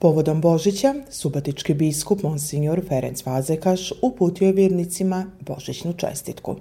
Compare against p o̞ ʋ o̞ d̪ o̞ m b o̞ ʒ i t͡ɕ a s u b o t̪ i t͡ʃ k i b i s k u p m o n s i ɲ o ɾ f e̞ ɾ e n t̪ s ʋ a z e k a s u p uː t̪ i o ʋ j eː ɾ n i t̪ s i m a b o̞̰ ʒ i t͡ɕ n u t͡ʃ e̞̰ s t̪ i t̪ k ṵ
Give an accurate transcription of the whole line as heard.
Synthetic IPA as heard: p o̞ ʋ o̞ d̪ o̞ m b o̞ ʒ i t͡ɕ a s u b o t̪ i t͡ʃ k i b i s k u p m o n s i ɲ o ɾ f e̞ ɾ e n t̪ s ʋ a z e k a ʃ u p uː t̪ i o ʋ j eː ɾ n i t̪ s i m a b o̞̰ ʒ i t͡ɕ n u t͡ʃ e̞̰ s t̪ i t̪ k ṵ